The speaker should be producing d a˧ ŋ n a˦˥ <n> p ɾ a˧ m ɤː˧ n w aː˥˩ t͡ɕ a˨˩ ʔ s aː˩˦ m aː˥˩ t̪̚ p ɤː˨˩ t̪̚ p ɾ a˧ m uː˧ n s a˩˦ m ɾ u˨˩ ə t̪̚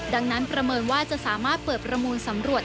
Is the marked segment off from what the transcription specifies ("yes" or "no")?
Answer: no